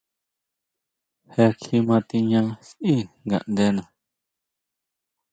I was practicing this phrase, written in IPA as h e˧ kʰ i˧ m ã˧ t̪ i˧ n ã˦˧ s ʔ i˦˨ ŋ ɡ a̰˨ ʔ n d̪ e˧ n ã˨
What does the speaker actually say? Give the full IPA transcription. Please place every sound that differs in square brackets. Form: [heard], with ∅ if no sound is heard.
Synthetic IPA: h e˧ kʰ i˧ m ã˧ t̪ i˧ [ɲ] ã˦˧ s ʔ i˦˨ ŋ ɡ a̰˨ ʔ n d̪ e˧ n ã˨